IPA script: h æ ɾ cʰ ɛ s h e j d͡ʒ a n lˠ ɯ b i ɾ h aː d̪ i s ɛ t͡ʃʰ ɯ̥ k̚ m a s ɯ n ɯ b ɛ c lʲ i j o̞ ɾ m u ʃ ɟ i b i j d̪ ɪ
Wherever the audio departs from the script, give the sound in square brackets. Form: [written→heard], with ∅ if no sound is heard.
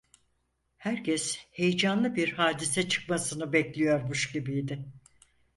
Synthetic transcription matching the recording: h æ ɾ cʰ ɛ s h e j d͡ʒ a n lˠ ɯ b i ɾ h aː d̪ i s ɛ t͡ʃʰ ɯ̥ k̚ m a s ɯ n ɯ b ɛ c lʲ i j o̞ ɾ m u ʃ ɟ i b i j d̪ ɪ